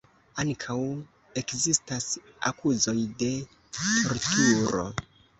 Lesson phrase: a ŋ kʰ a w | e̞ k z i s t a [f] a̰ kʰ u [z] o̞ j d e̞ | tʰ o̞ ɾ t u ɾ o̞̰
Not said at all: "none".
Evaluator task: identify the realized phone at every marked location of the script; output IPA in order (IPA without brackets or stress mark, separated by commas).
s, z